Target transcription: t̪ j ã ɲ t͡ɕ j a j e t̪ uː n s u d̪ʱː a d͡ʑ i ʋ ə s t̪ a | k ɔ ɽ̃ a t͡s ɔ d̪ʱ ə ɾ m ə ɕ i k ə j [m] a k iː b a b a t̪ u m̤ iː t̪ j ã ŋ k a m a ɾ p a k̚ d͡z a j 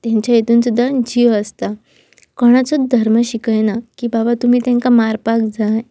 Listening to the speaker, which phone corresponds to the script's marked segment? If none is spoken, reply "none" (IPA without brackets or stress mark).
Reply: n